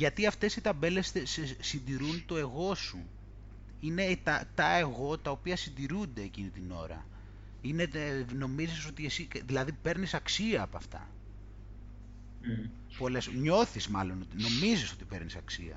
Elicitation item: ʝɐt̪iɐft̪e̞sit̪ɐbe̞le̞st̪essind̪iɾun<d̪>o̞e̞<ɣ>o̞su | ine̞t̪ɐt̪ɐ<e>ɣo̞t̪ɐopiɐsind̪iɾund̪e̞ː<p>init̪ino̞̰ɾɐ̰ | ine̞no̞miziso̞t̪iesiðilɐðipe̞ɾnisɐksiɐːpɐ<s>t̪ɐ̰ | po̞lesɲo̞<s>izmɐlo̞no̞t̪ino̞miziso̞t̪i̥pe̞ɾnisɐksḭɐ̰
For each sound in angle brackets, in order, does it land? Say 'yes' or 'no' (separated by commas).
no, yes, yes, no, no, no